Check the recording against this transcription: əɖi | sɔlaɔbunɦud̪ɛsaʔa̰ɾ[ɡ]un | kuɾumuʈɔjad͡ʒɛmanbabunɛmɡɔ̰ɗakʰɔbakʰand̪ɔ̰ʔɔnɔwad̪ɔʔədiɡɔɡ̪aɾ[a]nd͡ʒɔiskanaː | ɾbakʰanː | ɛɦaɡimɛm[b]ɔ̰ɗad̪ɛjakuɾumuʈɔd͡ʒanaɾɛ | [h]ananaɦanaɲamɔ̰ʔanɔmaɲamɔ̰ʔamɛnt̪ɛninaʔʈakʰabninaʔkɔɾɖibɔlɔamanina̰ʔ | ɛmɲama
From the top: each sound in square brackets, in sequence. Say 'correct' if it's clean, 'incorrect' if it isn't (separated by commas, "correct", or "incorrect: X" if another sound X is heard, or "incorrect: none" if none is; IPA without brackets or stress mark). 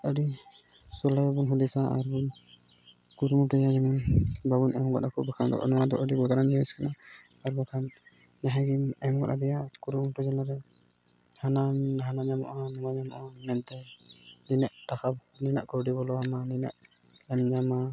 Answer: incorrect: b, correct, incorrect: ɡ, correct